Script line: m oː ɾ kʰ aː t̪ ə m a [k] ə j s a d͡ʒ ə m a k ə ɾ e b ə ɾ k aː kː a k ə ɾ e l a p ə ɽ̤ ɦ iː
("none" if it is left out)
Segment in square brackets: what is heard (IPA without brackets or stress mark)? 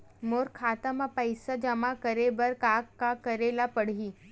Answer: p